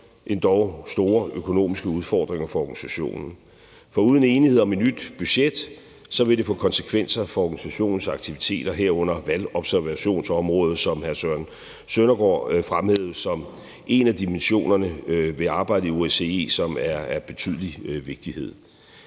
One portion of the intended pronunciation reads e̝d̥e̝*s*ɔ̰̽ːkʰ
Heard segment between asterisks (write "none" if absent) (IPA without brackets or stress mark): f